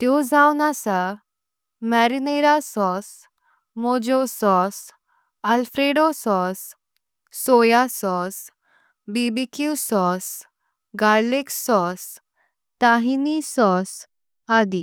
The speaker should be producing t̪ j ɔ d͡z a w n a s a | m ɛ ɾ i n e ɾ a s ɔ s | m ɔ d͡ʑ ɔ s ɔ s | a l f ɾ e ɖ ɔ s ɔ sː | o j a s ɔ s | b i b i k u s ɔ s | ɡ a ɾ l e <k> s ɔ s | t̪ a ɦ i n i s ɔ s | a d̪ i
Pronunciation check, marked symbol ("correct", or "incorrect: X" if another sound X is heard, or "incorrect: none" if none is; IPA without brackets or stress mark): correct